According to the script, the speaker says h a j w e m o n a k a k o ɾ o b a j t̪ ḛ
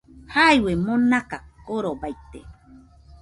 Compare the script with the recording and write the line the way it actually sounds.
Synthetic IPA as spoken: h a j w e m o n a k a k o ɾ o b a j t̪ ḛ